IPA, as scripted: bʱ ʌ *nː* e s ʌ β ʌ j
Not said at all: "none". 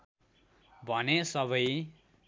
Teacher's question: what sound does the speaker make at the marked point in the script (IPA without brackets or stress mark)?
n